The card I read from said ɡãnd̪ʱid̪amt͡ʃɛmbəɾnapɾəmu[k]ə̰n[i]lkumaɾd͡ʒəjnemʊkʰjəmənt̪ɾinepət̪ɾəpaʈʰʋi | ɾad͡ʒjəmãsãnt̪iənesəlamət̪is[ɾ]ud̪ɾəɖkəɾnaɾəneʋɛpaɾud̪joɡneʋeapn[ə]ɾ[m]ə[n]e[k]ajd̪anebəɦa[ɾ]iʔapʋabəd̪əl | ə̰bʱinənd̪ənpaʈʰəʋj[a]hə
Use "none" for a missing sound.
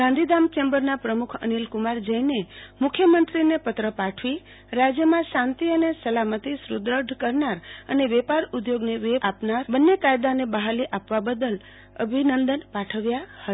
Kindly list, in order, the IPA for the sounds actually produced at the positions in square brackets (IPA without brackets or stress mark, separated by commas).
kʰ, i, ɾ, a, b, nː, k, l, a